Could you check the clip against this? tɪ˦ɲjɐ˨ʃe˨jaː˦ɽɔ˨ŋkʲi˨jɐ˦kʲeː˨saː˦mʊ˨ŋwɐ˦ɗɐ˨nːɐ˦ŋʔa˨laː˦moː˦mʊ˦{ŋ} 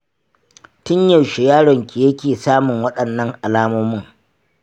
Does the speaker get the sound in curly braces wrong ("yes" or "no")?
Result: no